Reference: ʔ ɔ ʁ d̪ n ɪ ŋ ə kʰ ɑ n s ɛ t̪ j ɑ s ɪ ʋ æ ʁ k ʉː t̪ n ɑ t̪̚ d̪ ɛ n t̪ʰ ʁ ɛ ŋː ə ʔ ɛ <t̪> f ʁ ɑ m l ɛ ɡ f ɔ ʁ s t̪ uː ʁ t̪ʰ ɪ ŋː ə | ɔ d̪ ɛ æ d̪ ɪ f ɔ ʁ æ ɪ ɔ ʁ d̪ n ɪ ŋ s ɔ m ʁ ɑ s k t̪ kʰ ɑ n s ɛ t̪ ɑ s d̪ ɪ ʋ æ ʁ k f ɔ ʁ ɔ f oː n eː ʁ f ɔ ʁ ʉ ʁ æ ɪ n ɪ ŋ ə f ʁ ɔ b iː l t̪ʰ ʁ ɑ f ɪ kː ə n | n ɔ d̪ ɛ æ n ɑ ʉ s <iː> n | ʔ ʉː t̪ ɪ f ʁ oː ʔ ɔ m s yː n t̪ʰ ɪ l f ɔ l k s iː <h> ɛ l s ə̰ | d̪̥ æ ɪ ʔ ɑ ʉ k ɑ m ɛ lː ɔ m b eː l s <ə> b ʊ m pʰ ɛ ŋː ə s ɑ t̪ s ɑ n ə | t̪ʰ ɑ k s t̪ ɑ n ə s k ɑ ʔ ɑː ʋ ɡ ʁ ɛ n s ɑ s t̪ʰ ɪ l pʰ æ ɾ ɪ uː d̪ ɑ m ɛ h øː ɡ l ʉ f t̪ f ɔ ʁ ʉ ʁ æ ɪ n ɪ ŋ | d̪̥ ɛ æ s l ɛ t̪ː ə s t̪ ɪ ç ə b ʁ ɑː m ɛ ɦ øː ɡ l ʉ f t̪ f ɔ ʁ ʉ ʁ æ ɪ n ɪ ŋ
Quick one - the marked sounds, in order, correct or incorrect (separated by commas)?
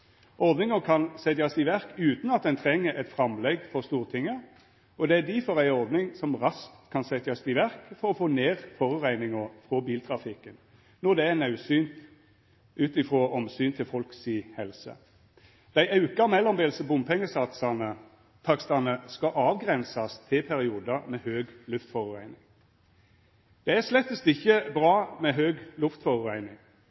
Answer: correct, incorrect, correct, correct